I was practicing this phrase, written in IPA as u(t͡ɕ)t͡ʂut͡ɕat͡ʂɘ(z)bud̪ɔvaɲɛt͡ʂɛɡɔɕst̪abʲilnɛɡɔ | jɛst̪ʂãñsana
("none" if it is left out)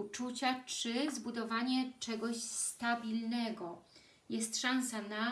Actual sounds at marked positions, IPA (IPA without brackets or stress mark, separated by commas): none, z